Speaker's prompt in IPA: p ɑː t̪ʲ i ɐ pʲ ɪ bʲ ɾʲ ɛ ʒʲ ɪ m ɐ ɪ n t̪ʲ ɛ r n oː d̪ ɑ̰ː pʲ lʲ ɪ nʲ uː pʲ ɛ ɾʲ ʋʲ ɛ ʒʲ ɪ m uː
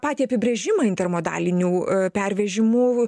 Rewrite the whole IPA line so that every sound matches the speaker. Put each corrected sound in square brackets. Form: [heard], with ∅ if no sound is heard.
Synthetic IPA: p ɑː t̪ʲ i ɐ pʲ ɪ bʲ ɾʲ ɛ ʒʲ ɪ m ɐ ɪ n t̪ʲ ɛ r [m] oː d̪ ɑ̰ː [∅] lʲ ɪ nʲ uː pʲ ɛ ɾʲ ʋʲ ɛ ʒʲ ɪ m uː